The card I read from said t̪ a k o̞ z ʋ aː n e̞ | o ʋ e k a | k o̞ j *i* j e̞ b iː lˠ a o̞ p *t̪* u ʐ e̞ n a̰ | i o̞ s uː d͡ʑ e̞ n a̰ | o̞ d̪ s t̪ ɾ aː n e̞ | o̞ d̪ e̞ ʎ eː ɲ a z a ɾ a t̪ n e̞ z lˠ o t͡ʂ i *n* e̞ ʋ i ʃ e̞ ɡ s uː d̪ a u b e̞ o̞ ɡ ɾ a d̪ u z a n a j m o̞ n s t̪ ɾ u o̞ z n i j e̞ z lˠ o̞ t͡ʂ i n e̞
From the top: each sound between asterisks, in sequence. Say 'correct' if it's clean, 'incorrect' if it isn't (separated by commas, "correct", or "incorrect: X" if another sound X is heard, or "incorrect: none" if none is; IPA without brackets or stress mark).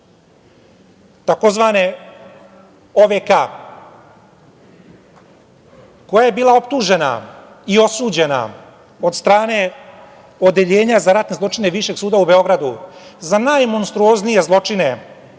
incorrect: a, correct, correct